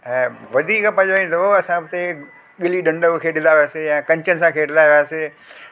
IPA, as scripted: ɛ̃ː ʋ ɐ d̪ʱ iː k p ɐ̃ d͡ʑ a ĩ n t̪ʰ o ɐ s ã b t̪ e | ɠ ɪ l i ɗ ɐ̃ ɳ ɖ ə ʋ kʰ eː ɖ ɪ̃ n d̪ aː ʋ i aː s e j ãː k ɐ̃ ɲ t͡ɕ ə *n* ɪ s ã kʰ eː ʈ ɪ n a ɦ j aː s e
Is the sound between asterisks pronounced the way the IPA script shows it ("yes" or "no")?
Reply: yes